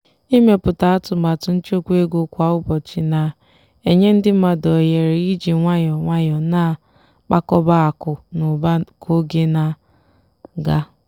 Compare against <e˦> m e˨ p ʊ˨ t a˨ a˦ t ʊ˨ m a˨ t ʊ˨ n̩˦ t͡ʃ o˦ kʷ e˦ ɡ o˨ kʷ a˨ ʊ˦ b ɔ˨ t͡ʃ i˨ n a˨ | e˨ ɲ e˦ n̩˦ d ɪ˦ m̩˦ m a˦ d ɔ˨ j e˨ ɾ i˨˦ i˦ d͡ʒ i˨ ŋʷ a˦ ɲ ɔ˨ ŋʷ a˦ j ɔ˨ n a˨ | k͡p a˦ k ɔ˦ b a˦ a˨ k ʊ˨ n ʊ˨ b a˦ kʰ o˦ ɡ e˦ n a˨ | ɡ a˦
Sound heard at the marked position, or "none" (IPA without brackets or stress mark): i˦